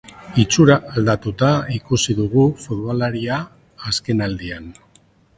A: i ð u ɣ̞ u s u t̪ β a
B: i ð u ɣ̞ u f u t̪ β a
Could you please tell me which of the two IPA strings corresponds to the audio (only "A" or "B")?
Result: B